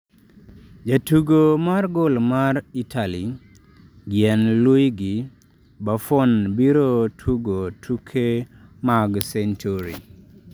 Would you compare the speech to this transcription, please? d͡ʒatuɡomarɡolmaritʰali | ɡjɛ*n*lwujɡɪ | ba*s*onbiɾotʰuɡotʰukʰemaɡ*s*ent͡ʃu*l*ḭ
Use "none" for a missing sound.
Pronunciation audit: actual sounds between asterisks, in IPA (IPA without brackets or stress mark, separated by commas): n, f, s, ɾ